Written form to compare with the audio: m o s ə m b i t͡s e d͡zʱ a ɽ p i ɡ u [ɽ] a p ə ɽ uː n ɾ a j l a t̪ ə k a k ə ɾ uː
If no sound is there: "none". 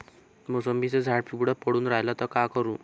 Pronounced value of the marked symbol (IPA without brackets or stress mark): ɽ